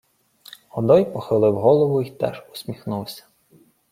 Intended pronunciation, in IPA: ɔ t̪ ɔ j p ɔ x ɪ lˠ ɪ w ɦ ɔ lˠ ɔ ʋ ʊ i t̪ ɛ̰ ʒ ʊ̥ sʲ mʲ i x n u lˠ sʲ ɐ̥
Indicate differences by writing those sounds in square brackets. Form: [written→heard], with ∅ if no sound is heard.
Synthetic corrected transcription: ɔ [t̪→d̪] ɔ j p ɔ x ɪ lˠ ɪ w ɦ ɔ lˠ ɔ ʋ ʊ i t̪ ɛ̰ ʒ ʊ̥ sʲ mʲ i x n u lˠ sʲ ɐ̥